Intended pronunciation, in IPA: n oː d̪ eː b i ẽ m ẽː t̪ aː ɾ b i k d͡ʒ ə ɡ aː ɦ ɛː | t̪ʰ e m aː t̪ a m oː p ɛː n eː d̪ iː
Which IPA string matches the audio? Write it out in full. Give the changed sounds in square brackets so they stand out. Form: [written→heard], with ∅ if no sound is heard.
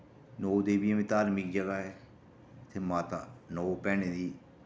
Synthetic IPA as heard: n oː d̪ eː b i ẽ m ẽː t̪ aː ɾ [b→m] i k d͡ʒ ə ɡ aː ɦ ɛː | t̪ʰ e m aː t̪ a [m→n] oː p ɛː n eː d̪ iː